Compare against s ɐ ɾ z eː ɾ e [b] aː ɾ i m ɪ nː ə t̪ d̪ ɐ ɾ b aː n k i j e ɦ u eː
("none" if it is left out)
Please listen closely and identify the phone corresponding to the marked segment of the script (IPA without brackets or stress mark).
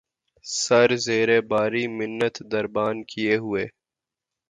b